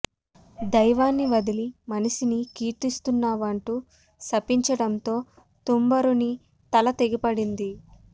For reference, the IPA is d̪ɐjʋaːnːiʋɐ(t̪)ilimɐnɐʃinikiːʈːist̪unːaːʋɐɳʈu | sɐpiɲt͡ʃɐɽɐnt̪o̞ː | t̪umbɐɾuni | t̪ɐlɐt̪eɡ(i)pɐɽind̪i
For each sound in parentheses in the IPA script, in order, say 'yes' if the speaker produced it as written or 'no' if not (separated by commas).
no, yes